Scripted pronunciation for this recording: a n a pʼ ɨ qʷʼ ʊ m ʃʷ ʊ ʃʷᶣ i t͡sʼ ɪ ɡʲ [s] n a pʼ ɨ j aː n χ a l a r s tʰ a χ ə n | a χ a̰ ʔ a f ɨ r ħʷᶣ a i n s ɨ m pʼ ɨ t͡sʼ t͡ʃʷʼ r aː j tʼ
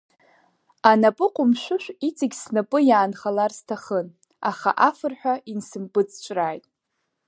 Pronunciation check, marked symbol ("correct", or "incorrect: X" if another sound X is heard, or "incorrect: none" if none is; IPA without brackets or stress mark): correct